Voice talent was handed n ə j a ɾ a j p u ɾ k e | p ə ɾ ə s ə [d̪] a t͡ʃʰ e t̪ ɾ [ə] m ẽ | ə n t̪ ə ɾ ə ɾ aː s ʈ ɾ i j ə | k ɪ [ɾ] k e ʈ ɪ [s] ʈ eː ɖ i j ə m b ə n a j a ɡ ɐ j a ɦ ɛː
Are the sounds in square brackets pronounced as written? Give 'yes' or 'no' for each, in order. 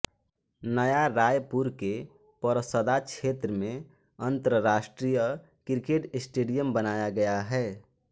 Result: yes, yes, yes, yes

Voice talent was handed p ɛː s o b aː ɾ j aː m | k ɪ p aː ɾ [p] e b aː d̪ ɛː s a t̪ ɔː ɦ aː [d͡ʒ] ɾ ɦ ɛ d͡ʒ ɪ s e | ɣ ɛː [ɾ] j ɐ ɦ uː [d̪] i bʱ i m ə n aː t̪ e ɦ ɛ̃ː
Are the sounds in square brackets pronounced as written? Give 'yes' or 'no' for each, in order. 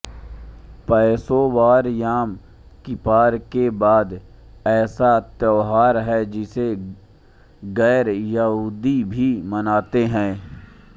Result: no, no, yes, yes

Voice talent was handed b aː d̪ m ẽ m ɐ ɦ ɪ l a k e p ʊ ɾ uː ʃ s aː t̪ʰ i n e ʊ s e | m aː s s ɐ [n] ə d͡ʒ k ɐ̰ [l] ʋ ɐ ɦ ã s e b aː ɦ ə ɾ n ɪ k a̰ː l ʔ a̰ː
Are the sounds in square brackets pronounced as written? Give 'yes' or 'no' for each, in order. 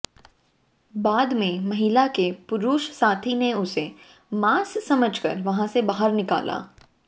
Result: no, no

